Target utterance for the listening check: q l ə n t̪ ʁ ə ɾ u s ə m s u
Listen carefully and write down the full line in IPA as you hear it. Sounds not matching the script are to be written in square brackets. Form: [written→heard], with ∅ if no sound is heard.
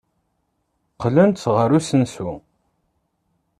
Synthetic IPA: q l ə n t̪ ʁ ə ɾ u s ə [m→n] s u